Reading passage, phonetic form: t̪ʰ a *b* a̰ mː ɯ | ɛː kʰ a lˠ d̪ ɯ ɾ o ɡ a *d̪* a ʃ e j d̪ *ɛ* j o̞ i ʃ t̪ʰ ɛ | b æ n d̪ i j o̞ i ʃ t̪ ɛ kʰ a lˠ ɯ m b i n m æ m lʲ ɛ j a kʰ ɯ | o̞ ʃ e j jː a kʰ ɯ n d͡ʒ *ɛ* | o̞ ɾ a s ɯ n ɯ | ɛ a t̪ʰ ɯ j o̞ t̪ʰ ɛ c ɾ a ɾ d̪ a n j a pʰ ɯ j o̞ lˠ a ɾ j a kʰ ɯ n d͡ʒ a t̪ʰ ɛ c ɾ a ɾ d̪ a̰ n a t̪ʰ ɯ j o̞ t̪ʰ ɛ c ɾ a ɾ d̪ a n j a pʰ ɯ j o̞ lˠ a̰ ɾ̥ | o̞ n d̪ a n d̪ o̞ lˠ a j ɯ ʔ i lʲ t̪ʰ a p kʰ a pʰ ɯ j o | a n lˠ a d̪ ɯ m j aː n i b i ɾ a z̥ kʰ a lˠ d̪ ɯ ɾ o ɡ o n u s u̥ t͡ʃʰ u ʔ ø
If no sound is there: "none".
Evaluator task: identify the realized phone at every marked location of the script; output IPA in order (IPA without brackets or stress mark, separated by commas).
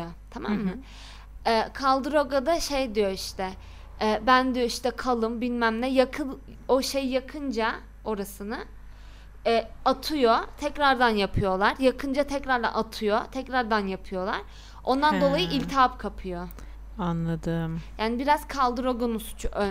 m, d̪, i, a